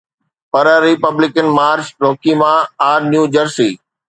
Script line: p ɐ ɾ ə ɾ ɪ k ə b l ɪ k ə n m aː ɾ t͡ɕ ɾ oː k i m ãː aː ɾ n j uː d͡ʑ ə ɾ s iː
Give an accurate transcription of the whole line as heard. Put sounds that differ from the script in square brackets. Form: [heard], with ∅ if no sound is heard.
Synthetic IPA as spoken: p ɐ ɾ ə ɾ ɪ [p] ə b l ɪ k ə n m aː ɾ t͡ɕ ɾ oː k i m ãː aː ɾ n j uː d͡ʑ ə ɾ s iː